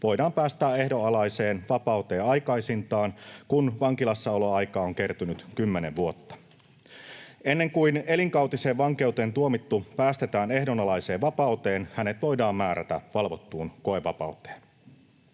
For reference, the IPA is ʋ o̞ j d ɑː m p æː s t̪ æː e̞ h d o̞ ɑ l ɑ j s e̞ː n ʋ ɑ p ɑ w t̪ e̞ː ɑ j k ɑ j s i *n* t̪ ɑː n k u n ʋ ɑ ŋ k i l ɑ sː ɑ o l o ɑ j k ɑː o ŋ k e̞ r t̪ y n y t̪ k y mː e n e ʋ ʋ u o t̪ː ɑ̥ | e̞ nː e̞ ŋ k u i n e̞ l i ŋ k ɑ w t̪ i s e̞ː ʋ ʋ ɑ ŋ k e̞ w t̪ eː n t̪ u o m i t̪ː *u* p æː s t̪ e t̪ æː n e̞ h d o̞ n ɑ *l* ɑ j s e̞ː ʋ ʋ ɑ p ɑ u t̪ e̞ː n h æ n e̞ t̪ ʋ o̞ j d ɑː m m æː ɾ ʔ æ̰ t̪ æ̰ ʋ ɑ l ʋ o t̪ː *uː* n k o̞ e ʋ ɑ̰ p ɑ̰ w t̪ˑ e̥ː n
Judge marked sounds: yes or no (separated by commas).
yes, yes, yes, yes